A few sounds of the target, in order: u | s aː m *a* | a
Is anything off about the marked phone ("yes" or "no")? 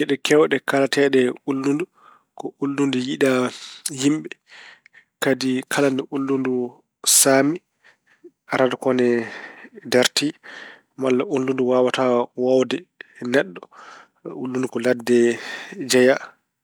yes